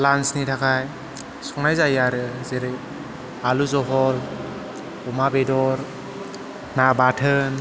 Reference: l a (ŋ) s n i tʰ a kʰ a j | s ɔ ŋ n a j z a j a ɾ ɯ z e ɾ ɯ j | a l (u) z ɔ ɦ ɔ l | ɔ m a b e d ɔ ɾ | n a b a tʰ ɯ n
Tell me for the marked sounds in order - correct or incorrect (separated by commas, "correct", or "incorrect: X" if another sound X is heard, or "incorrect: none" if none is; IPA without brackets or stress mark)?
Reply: incorrect: n, correct